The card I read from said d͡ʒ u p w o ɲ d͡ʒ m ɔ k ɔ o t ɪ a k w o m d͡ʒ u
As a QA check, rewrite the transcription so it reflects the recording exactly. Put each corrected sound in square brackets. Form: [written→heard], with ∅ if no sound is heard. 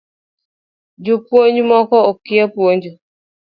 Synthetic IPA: d͡ʒ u p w o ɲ d͡ʒ m ɔ k ɔ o [t→k] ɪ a [k→p] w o [m→ɲ] d͡ʒ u